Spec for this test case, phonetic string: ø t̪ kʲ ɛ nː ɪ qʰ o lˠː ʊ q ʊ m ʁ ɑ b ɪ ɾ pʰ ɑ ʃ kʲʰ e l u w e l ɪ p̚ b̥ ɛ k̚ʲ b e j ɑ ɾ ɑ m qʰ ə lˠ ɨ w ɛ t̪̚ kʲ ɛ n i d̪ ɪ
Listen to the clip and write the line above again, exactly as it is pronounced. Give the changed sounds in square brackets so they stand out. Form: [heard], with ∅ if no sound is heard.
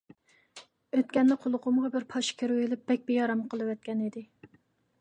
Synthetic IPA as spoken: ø t̪ kʲ ɛ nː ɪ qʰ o [lˠ] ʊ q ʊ m ʁ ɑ b ɪ ɾ pʰ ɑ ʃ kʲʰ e [ɾ] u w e l ɪ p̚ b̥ ɛ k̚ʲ b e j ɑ ɾ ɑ m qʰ ə lˠ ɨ w ɛ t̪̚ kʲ ɛ n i d̪ ɪ